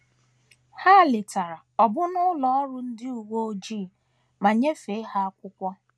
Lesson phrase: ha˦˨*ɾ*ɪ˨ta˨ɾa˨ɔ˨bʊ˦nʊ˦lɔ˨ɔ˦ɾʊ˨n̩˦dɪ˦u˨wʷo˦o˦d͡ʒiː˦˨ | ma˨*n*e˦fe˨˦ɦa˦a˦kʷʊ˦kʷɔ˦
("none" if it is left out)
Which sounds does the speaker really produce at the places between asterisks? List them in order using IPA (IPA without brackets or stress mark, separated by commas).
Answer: l, ɲ